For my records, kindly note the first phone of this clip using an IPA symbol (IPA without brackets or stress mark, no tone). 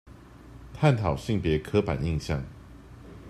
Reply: t̪ʰ